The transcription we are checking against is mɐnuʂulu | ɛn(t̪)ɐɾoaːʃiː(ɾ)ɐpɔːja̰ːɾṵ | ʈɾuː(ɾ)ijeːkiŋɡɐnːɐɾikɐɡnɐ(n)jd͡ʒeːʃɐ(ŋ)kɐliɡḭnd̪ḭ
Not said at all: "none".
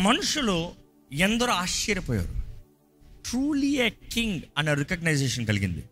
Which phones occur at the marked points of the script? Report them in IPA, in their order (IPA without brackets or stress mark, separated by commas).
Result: d̪, ɾ, l, none, n